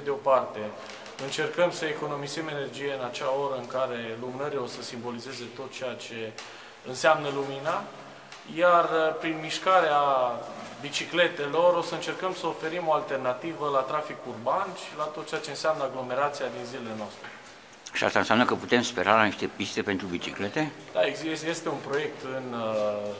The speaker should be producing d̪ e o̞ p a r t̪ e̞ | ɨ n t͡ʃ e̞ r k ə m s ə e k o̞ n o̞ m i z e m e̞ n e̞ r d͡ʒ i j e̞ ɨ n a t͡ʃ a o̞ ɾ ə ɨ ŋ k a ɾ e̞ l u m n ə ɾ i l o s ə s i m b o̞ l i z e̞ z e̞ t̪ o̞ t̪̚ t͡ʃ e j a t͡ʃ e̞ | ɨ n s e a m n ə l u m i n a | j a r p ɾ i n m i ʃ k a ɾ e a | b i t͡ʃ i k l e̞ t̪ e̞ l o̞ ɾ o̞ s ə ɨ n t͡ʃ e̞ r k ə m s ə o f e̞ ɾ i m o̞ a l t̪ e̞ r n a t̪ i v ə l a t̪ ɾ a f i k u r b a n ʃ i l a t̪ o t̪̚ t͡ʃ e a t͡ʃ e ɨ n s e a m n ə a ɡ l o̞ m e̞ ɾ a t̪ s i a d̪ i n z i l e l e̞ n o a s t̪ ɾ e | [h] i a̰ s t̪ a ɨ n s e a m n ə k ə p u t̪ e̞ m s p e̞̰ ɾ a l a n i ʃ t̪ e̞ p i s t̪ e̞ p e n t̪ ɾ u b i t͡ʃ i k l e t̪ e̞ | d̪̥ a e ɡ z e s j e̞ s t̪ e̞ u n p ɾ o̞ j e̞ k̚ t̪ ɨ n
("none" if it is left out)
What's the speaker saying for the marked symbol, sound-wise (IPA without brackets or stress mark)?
ʃ